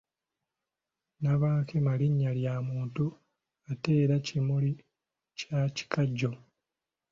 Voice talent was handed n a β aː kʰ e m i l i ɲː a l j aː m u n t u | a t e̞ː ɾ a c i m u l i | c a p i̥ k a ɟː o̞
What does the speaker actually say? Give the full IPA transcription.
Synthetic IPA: n a β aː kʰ e m a l i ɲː a l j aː m uː n t u | a t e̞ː ɾ a c i m u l i | c a c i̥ k a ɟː o̞